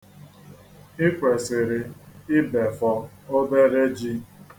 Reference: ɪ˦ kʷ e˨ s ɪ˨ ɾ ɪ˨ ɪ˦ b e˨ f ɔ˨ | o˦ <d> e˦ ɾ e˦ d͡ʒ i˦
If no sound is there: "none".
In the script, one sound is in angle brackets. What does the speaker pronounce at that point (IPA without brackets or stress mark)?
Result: d